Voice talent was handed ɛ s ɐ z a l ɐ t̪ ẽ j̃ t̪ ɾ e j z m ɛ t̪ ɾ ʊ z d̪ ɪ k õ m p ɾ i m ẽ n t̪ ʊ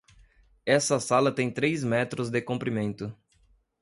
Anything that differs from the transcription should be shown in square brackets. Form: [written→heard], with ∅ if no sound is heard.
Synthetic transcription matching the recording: ɛ s ɐ [z→s] a l ɐ t̪ ẽ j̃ t̪ ɾ e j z m ɛ t̪ ɾ ʊ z d̪ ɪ k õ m p ɾ i m ẽ n t̪ ʊ